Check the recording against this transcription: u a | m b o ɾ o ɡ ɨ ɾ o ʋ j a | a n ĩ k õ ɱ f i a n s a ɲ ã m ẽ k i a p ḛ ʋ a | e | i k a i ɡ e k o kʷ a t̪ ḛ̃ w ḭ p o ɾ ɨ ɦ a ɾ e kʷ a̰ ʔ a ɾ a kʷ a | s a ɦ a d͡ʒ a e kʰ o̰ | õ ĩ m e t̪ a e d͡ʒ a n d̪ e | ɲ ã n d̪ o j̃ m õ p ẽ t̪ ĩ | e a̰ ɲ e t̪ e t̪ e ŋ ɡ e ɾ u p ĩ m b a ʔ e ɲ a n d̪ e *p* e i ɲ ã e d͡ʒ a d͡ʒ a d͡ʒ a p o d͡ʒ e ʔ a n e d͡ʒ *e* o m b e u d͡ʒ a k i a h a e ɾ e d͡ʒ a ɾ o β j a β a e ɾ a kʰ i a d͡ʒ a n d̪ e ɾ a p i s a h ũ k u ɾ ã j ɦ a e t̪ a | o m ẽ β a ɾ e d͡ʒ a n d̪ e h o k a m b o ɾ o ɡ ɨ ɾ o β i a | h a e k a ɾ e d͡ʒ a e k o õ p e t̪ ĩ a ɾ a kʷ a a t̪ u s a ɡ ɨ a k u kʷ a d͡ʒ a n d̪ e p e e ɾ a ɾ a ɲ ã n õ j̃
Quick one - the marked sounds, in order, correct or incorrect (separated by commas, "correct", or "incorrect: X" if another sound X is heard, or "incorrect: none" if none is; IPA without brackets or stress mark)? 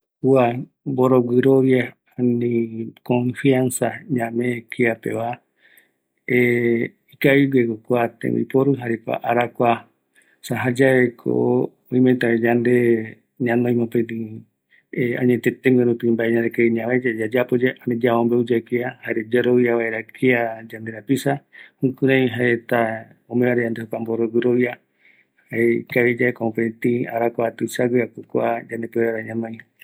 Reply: incorrect: k, incorrect: a